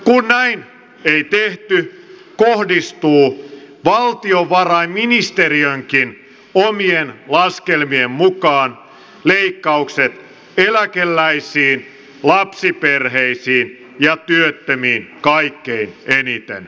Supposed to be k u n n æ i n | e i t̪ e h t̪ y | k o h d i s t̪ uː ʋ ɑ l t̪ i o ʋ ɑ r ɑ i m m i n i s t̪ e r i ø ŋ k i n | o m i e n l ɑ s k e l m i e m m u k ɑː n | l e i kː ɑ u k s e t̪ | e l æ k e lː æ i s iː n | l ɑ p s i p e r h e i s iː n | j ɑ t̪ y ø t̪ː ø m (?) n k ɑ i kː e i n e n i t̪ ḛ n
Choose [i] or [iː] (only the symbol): iː